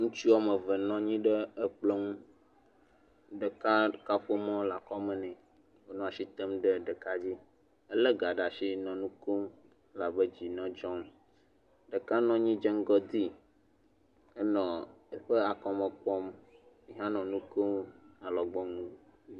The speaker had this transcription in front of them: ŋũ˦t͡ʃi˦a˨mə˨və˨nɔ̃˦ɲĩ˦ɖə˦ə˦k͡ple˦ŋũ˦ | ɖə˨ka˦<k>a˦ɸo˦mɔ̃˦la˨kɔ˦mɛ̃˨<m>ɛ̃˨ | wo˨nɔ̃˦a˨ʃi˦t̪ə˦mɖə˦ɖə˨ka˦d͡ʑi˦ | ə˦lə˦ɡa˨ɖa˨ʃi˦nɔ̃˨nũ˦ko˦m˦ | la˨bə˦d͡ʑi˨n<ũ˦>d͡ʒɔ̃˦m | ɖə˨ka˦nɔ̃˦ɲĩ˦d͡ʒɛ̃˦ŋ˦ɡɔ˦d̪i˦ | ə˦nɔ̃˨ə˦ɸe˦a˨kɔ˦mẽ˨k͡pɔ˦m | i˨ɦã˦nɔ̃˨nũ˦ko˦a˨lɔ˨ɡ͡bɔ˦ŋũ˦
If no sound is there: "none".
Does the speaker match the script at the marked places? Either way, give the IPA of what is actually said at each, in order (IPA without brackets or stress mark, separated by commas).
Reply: k, n, ɔ̃˦